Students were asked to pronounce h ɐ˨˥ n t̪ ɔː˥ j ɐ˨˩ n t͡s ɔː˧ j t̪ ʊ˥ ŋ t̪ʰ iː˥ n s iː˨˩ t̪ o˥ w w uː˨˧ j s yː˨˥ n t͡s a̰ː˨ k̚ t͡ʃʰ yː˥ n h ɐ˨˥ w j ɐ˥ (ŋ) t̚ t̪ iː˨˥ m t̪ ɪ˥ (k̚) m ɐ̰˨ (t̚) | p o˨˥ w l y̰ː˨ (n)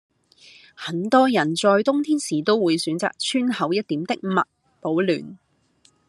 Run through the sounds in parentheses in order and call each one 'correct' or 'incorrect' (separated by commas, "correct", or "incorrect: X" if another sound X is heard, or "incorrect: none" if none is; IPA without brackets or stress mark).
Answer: incorrect: none, correct, correct, correct